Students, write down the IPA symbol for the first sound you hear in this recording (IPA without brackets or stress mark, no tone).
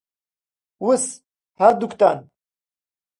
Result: w